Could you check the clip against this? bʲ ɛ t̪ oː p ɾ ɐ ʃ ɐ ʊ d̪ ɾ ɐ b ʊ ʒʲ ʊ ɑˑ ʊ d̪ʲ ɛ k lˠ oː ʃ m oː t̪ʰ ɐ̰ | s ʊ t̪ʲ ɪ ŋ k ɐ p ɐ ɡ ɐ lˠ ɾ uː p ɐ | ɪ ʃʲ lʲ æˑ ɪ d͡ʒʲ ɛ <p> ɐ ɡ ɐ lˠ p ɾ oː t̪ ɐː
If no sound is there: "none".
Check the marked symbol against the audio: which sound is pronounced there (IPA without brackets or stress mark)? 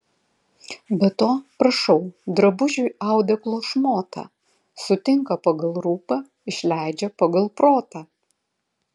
p